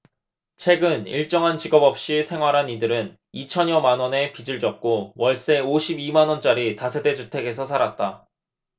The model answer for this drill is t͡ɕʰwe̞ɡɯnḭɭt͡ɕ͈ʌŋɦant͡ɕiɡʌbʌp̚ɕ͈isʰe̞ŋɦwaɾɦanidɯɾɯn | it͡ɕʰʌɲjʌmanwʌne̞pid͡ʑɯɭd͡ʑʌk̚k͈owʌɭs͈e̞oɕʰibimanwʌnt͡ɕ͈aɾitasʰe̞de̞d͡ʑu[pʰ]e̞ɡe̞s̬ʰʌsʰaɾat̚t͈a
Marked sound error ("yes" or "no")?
yes